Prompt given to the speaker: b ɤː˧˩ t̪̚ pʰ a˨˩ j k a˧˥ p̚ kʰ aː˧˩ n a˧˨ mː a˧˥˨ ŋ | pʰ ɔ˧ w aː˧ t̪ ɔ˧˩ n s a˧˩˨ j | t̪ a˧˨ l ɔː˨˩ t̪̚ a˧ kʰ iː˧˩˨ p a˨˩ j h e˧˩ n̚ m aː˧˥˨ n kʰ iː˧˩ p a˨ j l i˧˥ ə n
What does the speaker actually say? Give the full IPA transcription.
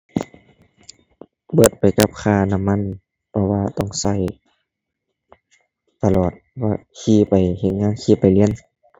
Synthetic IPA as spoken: b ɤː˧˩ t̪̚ p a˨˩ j k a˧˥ p̚ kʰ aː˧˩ n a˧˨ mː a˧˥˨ n | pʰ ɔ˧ w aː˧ t̪ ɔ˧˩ ŋ s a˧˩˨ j | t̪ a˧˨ l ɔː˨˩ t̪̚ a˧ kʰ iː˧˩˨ p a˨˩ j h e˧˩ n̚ ŋ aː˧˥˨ n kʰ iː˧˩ p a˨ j l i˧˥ ə n

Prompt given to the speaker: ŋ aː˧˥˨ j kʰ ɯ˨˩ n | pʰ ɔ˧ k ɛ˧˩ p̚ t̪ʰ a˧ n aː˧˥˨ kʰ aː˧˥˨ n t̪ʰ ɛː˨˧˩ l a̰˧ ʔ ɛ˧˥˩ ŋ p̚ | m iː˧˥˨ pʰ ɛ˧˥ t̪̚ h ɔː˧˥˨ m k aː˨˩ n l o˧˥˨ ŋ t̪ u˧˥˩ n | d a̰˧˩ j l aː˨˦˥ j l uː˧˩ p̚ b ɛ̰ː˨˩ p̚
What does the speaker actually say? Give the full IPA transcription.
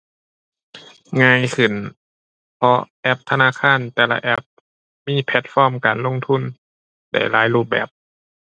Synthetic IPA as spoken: ŋ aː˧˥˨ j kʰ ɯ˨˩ n | pʰ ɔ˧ ʔ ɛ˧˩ p̚ t̪ʰ a˧ n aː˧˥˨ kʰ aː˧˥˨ n t̪ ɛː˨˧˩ l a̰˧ ʔ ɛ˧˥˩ p̚ | m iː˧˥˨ pʰ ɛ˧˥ t̪̚ f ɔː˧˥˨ m k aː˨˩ n l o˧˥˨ ŋ t̪ʰ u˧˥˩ n | d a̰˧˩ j l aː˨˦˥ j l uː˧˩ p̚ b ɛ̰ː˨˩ p̚

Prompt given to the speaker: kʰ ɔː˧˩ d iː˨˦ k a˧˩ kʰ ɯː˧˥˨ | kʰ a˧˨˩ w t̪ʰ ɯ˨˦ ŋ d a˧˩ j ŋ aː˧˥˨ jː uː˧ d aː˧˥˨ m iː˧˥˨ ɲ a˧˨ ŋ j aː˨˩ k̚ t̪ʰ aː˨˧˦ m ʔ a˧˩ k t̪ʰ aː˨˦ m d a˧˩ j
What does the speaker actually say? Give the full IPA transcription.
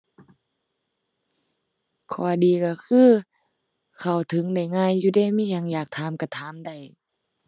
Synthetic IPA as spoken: kʰ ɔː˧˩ d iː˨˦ k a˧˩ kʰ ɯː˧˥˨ | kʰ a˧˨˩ w t̪ʰ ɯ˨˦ ŋ d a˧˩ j ŋ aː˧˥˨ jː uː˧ d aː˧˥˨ m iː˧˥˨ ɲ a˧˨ ŋ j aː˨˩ k̚ t̪ʰ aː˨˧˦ m k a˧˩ t̪ʰ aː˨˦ m d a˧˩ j

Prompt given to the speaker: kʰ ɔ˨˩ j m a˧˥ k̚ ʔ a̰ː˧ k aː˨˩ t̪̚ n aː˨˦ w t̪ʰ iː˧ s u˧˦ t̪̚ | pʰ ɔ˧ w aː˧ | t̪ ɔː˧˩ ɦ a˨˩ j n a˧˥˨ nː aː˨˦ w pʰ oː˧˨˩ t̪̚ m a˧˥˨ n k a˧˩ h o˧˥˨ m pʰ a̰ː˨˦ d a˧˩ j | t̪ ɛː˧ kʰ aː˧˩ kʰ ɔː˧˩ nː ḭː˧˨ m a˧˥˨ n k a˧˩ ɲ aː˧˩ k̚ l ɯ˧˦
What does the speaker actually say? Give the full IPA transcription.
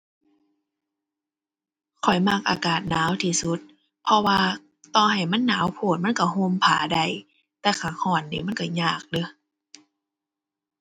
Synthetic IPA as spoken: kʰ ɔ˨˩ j m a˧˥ k̚ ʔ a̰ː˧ k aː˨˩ t̪̚ n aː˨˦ w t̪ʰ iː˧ s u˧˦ t̪̚ | pʰ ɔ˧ w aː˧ | t̪ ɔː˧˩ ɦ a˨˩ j m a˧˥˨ nː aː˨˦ w pʰ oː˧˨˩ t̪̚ m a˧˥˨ n k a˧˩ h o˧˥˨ m pʰ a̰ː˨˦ d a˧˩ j | t̪ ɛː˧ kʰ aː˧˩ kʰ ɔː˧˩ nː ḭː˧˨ m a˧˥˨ n k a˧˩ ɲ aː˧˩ k̚ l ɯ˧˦

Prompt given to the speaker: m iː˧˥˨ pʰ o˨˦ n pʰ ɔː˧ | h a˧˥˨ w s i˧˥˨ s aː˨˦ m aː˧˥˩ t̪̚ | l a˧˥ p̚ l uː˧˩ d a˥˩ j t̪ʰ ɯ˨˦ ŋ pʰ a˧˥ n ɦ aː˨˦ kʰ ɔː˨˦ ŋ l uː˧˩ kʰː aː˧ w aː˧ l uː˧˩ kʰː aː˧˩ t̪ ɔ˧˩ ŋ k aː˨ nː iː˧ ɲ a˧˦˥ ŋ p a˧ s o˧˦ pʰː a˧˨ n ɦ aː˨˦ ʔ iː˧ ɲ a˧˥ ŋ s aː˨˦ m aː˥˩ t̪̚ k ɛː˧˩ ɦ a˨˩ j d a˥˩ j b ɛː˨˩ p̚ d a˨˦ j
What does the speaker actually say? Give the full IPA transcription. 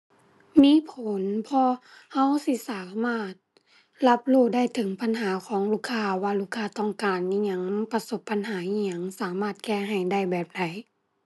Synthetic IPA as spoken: m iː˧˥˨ pʰ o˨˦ n pʰ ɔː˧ | h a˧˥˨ w s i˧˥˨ s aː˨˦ m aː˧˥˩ t̪̚ | l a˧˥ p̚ l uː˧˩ d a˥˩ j t̪ʰ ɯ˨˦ ŋ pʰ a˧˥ n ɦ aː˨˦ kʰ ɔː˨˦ ŋ l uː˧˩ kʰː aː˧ w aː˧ l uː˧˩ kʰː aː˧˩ t̪ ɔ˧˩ ŋ k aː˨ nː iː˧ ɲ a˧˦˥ ŋ p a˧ s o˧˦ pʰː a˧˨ n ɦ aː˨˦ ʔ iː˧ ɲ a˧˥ ŋ s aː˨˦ m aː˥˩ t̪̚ k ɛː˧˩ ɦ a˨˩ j d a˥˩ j b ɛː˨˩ p̚ d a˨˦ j

